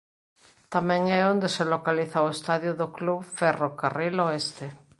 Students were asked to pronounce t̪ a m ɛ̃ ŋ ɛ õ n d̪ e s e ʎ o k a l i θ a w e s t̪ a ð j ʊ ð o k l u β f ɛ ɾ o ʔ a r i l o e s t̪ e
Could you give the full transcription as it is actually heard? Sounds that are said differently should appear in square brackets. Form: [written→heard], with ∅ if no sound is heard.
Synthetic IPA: t̪ a m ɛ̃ ŋ ɛ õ n d̪ e s e [ʎ→l] o k a l i θ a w e s t̪ a ð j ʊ ð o k l u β f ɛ [ɾ→r] o [ʔ→k] a r i l o e s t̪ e